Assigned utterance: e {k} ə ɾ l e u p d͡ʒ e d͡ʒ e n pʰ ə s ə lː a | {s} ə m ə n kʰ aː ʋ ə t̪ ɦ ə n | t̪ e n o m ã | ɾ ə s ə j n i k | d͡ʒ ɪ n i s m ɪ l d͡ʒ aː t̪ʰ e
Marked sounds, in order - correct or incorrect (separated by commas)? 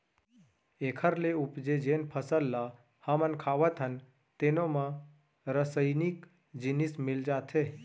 incorrect, incorrect